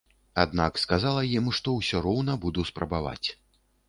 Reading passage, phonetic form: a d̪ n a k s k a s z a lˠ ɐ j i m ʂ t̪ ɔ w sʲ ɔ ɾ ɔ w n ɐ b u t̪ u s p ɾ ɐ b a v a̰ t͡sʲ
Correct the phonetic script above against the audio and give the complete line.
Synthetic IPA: a d̪ n a k s k a z a lˠ ɐ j i m ʂ t̪ ɔ w sʲ ɔ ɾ ɔ w n ɐ b u d̪ u s p ɾ ɐ b a v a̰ t͡sʲ

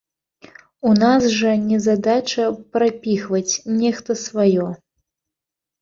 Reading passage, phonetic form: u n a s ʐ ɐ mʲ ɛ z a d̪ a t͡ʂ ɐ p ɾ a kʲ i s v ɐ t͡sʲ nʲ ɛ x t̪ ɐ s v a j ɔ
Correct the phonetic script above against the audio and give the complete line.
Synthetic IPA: u n a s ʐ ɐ nʲ ɛ z a d̪ a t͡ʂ ɐ p ɾ a pʲ i x v ɐ t͡sʲ nʲ ɛ x t̪ ɐ s v a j ɔ

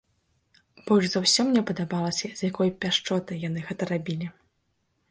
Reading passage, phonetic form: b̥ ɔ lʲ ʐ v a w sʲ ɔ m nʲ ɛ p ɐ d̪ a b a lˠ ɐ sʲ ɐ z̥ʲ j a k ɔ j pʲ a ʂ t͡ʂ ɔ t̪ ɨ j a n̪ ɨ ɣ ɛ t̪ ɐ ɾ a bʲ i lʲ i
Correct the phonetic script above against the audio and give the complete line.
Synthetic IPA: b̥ ɔ lʲ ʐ z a w sʲ ɔ m nʲ ɛ p ɐ d̪ a b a lˠ ɐ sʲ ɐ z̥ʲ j a k ɔ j pʲ a ʂ t͡ʂ ɔ t̪ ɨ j a n̪ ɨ ɣ ɛ t̪ ɐ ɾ a bʲ i lʲ i

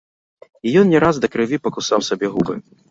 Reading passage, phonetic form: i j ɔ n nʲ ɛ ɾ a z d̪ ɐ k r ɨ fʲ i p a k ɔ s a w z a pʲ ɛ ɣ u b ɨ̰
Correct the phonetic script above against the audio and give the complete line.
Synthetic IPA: i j ɔ n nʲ ɛ ɾ a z d̪ ɐ k ɾ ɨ vʲ i p ɐ k u s a w s a bʲ ɛ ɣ u b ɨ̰

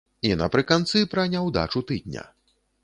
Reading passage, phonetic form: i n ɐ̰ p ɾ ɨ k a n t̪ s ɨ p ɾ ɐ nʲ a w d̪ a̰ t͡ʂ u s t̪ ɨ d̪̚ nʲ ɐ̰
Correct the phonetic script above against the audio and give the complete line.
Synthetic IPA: i n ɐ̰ p ɾ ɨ k a n t̪ s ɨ p ɾ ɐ nʲ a w d̪ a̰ t͡ʂ u t̪ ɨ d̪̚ nʲ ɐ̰

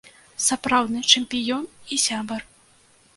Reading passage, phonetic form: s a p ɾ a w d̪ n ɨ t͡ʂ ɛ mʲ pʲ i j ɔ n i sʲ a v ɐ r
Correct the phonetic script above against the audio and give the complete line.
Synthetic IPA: s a p ɾ a w d̪ n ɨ t͡ʂ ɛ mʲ pʲ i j ɔ n i sʲ a b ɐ r

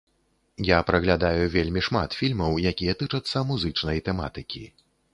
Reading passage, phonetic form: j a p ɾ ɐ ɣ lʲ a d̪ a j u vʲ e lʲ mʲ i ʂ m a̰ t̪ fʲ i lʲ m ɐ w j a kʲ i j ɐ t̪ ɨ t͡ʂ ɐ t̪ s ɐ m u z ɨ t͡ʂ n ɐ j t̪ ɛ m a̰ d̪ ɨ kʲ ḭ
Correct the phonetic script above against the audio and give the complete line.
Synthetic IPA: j a p ɾ ɐ ɣ lʲ a d̪ a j u vʲ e lʲ mʲ i ʂ m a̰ t̪ fʲ i lʲ m ɐ w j a kʲ i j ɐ t̪ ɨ t͡ʂ ɐ t̪ sː ɐ m u z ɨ t͡ʂ n ɐ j t̪ ɛ m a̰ t̪ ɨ kʲ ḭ

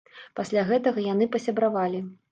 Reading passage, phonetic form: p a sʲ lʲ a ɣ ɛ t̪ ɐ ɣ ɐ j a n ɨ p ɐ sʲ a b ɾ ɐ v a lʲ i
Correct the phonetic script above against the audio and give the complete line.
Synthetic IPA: p a sʲ lʲ a ɣ ɛ t̪ ɐ ɣ ɐ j a n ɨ p ɐ sʲ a b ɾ a v a lʲ i

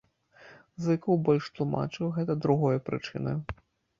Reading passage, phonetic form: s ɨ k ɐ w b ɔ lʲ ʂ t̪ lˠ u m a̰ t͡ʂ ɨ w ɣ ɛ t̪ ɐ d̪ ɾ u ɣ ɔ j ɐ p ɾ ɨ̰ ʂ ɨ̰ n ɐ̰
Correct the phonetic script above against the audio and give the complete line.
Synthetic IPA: z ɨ k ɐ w b ɔ lʲ ʂ t̪ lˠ u m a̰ t͡ʂ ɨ w ɣ ɛ t̪ ɐ d̪ ɾ u ɣ ɔ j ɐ p ɾ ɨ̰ t͡ʂ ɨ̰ n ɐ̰

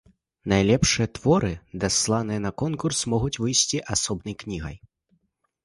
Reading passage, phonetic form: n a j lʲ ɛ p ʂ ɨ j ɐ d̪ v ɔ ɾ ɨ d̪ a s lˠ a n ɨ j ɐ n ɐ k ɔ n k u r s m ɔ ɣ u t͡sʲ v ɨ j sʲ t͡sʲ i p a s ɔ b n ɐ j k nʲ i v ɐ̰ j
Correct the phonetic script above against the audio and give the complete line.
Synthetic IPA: n a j lʲ ɛ p ʂ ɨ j ɐ t̪ v ɔ ɾ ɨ d̪ a s lˠ a n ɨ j ɐ n ɐ k ɔ n k u r s m ɔ ɣ u t͡sʲ v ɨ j sʲ t͡sʲ i ʔ a s ɔ b n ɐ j k nʲ i ɣ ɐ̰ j

